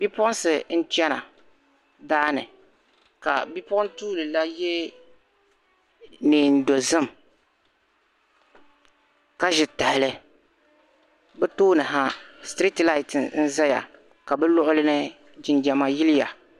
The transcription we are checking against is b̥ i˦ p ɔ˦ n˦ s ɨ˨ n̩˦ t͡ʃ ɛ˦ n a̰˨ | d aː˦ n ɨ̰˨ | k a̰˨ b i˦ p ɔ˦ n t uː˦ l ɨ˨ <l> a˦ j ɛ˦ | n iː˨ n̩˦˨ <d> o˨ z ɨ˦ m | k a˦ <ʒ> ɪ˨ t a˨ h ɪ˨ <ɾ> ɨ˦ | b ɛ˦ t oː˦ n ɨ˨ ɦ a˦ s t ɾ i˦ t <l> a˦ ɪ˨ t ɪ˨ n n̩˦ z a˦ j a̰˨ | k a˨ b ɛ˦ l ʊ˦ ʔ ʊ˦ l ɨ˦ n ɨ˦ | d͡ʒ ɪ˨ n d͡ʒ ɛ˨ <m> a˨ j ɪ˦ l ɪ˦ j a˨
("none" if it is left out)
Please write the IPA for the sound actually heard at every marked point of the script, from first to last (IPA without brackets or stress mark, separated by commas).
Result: l, d, ʒ, l, l, m